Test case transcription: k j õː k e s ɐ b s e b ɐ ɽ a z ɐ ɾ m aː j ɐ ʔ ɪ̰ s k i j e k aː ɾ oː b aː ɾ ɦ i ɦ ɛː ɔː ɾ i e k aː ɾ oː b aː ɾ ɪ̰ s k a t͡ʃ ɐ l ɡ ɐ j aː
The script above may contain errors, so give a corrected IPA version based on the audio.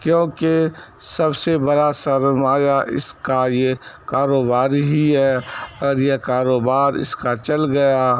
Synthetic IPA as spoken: k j õː k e s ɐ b s e b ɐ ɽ a s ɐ ɾ m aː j a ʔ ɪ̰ s k a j e k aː ɾ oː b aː ɾ ɦ i ɦ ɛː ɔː ɾ j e k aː ɾ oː b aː ɾ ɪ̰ s k a t͡ʃ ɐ l ɡ ɐ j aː

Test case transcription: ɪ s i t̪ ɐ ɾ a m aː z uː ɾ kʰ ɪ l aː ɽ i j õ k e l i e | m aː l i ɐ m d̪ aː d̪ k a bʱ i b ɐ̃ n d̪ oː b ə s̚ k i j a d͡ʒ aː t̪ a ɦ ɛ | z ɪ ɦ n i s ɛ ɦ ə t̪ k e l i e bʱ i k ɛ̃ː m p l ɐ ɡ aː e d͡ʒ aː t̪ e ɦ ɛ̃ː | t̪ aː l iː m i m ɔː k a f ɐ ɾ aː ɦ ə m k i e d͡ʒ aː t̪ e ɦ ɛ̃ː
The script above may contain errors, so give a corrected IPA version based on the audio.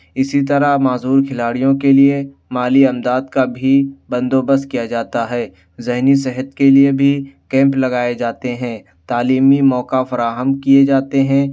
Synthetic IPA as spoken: ɪ s i t̪ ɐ ɾ a m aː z uː ɾ kʰ ɪ l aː ɽ i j õ k e l i e | m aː l i ɐ m d̪ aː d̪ k a bʱ i b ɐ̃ n d̪ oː b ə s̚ k i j a d͡ʒ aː t̪ a ɦ ɛː | z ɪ ɦ n i s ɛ ɦ ə t̪ k e l i e bʱ i k ɛ̃ː m p l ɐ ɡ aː e d͡ʒ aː t̪ e ɦ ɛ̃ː | t̪ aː l iː m i m ɔː k a f ɐ ɾ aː ɦ ə m k i e d͡ʒ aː t̪ e ɦ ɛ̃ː

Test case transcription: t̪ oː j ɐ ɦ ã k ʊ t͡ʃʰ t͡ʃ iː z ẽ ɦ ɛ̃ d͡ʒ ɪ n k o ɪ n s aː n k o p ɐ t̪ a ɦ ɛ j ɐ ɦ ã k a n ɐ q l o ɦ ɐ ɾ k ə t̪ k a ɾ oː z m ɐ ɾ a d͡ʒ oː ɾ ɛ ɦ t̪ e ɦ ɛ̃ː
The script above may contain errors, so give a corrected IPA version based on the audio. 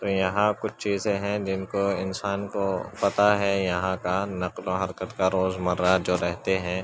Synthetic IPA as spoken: t̪ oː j ɐ ɦ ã k ʊ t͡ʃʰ t͡ʃ iː z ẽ ɦ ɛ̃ d͡ʒ ɪ n k o ɪ n s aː n k o p ɐ t̪ a ɦ ɛ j ɐ ɦ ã k a n ɐ q l o ɦ ɐ ɾ k ə t̪ k a ɾ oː z m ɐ ɾ a d͡ʒ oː ɾ ɛ ɦ t̪ e ɦ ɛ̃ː

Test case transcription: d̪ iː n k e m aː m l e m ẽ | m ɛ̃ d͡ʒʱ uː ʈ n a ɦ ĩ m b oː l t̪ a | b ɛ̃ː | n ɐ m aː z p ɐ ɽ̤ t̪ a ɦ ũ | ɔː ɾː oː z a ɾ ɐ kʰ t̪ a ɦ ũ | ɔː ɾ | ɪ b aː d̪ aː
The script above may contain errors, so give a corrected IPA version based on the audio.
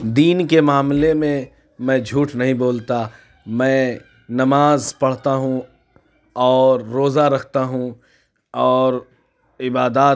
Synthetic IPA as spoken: d̪ iː n k e m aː m l e m ẽ | m ɛ̃ d͡ʒʱ uː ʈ n ɐ ɦ ĩ b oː l t̪ a | m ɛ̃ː | n ɐ m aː z p ɐ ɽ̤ t̪ a ɦ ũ | ɔː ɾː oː z a ɾ ɐ kʰ t̪ a ɦ ũ | ɔː ɾ | ɪ b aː d̪ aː

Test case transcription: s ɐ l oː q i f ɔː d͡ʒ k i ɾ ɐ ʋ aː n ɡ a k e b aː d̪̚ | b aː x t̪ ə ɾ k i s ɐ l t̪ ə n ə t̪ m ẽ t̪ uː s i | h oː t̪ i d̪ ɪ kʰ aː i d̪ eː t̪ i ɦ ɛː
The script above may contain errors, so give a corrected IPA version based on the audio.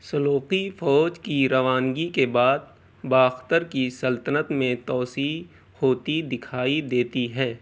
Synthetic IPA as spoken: s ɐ l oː q i f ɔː d͡ʒ k i ɾ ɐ ʋ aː n ɡ i k e b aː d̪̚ | b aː x t̪ ə ɾ k i s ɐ l t̪ ə n ə t̪ m ẽ t̪ ɔː s i | h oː t̪ i d̪ ɪ kʰ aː i d̪ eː t̪ i ɦ ɛː

